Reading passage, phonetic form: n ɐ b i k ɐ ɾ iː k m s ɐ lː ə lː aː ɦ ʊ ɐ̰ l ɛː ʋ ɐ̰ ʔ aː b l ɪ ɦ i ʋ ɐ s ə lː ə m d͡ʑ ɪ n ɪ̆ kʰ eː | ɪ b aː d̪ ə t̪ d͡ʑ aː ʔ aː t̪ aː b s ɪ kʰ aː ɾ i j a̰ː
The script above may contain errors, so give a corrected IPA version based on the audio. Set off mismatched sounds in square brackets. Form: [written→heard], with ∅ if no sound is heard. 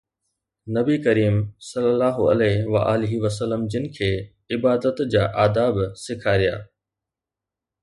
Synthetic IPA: n ɐ b i k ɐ ɾ iː [k→∅] m s ɐ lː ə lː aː ɦ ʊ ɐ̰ l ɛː ʋ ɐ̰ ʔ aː [b→∅] l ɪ ɦ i ʋ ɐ s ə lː ə m d͡ʑ ɪ n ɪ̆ kʰ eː | ɪ b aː d̪ ə t̪ d͡ʑ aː ʔ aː [t̪→d̪] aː b s ɪ kʰ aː ɾ i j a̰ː